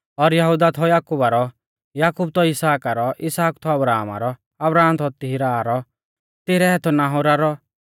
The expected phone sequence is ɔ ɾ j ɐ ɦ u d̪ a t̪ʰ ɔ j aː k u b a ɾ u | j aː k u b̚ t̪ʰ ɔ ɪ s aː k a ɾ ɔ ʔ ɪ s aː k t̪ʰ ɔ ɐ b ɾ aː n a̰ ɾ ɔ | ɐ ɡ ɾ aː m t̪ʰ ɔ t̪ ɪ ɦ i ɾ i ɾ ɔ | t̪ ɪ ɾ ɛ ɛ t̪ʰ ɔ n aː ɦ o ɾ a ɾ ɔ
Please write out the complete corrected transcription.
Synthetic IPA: ɔ ɾ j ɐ ɦ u d̪ a t̪ʰ ɔ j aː k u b a ɾ ɔ | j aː k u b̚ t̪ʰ ɔ ɪ s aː k a ɾ ɔ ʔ ɪ s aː k t̪ʰ ɔ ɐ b ɾ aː m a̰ ɾ ɔ | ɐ b ɾ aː m t̪ʰ ɔ t̪ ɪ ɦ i ɾ a ɾ ɔ | t̪ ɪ ɾ ɛ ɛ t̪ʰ ɔ n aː ɦ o ɾ a ɾ ɔ